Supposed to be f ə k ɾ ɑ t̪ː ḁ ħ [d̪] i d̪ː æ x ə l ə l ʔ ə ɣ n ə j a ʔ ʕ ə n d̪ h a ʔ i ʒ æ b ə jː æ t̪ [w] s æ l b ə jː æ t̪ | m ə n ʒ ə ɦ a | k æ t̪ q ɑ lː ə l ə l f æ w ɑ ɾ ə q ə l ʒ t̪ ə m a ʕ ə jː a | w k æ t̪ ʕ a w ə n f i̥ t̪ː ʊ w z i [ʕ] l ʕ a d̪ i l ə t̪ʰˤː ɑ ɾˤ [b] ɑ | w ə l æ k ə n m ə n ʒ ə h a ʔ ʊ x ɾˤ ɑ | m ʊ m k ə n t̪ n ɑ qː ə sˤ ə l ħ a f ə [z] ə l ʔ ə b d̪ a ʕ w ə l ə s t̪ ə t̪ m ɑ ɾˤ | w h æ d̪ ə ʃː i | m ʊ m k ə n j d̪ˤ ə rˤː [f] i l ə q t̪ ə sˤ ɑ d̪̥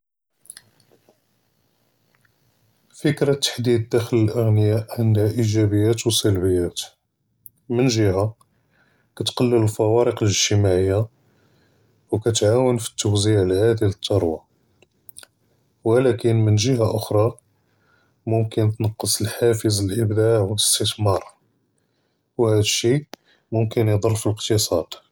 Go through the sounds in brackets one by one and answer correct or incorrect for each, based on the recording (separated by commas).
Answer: correct, correct, correct, incorrect, correct, correct